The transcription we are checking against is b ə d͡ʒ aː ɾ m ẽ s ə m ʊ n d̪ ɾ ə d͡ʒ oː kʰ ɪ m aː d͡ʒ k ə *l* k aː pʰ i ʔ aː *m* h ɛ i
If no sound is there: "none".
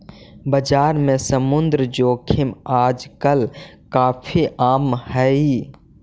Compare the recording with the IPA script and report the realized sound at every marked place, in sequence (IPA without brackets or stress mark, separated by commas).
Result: l, m